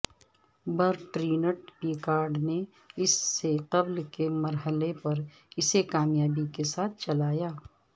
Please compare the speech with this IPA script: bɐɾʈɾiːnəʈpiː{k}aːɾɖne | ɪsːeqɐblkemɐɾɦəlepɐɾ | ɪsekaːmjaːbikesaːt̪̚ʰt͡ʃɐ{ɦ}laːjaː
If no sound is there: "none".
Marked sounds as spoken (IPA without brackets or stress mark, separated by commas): k, none